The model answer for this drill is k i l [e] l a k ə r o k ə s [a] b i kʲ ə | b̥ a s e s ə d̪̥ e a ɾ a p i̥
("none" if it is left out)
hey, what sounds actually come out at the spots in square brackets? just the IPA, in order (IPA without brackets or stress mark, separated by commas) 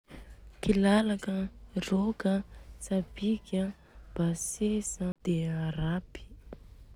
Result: a, a